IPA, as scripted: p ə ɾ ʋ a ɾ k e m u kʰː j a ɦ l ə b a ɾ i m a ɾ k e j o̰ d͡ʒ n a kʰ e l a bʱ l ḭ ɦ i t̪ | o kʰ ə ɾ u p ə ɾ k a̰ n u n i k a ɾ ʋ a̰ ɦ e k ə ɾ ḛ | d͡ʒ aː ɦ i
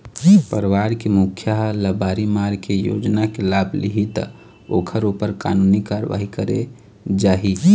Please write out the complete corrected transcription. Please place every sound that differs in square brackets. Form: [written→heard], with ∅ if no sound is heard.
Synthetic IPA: p ə ɾ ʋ a ɾ k e m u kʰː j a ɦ l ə b a ɾ i m a ɾ k e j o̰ d͡ʒ n a [kʰ→k] e l a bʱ l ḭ ɦ i t̪ | o kʰ ə ɾ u p ə ɾ k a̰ n u n i k a ɾ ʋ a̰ ɦ [e→i] k ə ɾ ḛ | d͡ʒ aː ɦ i